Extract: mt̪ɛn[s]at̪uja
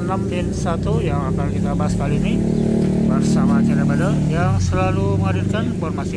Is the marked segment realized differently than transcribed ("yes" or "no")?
no